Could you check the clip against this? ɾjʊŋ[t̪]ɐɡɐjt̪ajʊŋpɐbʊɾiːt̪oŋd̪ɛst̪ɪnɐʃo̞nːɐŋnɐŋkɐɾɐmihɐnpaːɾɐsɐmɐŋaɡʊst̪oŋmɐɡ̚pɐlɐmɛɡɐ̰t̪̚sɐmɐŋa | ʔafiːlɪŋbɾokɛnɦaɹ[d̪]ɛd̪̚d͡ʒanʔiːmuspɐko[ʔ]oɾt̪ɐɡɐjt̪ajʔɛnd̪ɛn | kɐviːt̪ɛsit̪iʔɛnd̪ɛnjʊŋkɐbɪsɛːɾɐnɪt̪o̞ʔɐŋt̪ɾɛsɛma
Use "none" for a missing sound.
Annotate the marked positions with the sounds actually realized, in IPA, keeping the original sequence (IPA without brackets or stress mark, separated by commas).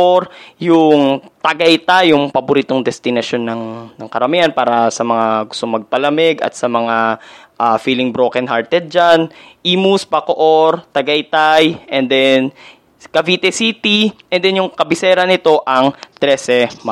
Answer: t̪, t̪, ʔ